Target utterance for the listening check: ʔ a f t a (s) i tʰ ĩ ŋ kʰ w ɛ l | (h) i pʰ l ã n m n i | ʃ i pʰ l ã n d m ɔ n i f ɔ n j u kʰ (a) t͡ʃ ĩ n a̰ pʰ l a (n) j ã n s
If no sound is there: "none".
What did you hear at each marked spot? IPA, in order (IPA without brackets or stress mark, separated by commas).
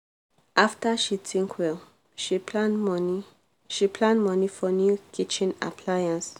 ʃ, ʃ, i, none